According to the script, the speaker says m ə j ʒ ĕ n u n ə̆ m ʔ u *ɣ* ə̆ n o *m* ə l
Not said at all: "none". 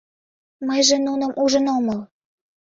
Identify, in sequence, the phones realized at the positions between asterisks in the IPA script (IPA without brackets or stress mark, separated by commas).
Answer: ʒ, m